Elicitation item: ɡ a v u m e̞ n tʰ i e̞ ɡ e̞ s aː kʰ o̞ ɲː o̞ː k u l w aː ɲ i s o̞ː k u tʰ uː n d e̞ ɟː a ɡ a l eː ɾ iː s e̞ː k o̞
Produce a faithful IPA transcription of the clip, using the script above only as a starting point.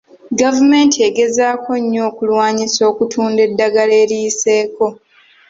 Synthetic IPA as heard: ɡ a v u m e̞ n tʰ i e̞ ɡ e̞ z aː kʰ o̞ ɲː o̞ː k u l w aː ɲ i s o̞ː k u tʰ uː n d e̞ dː a ɡ a l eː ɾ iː s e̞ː k o̞